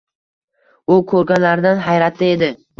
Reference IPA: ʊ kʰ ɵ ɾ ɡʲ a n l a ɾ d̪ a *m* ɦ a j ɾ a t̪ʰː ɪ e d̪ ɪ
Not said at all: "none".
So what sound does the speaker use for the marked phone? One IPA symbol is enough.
n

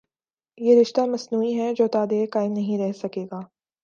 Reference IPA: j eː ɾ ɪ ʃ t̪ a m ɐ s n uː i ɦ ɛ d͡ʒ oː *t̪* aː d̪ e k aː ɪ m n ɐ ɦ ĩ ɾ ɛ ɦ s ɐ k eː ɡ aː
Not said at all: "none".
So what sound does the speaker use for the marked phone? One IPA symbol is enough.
t̪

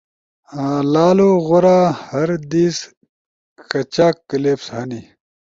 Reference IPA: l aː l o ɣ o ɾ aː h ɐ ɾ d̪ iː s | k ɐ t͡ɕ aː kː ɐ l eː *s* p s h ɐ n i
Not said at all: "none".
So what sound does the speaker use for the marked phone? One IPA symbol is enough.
none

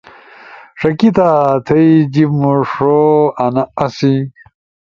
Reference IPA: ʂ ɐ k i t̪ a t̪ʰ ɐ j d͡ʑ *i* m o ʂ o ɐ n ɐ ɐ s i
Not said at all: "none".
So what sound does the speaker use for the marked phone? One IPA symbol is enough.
i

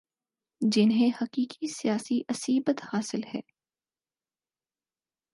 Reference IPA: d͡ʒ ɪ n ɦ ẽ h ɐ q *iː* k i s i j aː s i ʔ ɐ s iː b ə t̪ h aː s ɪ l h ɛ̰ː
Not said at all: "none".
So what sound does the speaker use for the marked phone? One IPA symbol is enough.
iː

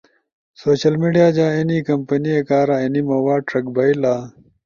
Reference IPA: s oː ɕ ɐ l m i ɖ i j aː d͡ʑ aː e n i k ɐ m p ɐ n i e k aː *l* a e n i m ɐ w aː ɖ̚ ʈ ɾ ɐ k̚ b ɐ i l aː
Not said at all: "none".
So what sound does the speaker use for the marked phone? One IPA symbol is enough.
ɾ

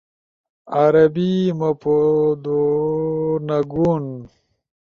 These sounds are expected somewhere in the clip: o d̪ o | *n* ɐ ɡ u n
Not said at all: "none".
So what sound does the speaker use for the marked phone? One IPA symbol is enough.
n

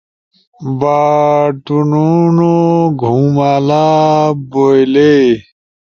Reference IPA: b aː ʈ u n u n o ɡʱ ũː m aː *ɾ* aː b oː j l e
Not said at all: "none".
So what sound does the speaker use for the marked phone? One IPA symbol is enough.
l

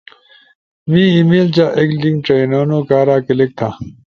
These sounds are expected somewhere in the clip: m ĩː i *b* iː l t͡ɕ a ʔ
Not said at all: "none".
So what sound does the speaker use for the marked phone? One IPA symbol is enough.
m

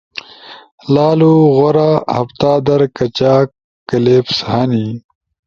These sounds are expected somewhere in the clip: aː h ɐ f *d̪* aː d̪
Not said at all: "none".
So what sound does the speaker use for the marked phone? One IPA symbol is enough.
t̪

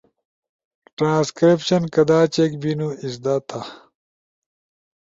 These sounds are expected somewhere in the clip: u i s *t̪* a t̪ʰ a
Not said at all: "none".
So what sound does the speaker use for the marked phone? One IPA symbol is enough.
d̪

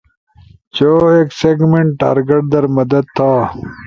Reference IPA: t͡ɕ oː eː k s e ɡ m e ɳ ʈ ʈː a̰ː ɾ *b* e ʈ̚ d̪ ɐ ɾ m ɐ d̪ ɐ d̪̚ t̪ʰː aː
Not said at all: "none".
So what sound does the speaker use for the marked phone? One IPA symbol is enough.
ɡ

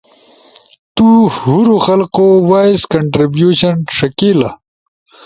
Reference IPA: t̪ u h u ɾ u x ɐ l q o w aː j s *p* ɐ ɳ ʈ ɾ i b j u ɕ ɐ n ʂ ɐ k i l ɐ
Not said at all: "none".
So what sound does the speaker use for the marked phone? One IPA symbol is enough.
k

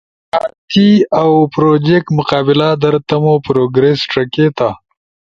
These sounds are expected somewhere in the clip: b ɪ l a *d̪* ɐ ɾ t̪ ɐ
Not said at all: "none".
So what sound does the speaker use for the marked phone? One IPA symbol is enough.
d̪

